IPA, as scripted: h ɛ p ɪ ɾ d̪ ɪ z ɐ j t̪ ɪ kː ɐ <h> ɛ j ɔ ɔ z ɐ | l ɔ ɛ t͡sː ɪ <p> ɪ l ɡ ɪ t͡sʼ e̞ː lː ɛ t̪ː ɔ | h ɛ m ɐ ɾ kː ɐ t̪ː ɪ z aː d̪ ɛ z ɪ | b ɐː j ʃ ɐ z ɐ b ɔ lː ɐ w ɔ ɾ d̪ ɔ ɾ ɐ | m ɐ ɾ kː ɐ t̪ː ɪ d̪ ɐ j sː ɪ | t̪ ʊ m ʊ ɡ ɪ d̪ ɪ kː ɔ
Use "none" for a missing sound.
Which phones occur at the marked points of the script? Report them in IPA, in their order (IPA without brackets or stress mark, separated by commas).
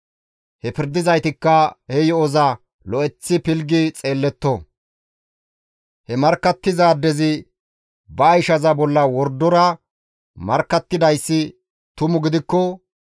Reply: h, p